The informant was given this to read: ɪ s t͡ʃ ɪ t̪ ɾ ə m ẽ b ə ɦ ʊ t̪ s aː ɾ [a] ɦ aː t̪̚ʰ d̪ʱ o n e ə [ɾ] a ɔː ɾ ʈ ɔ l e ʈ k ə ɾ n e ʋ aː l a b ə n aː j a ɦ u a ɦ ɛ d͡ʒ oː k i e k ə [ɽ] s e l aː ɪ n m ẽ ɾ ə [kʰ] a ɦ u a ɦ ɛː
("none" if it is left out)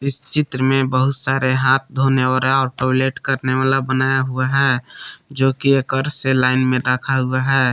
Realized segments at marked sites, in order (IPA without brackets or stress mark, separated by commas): e, ɾ, ɾ, kʰ